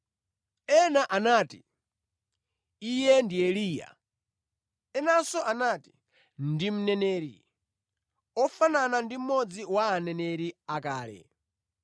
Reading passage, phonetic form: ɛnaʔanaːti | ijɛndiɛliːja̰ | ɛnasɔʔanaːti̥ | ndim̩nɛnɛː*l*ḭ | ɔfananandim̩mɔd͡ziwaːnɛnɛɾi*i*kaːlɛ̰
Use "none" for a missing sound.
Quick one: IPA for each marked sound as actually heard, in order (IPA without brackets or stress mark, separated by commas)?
ɾ, a